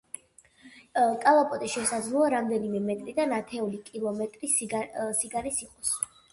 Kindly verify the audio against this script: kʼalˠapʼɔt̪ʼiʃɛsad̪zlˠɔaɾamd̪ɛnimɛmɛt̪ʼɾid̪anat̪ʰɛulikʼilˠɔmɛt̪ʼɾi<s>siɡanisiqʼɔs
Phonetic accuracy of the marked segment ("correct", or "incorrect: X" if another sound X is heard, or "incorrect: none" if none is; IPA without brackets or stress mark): correct